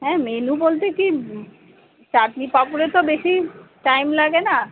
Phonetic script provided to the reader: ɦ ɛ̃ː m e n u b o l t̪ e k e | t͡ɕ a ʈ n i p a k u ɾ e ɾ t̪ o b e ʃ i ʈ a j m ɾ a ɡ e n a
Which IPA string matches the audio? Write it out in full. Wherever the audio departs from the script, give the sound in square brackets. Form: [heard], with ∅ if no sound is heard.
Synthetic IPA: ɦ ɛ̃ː m e n u b o l t̪ e k [i] | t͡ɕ a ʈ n i p a [p] u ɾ e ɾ t̪ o b e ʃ i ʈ a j m [l] a ɡ e n a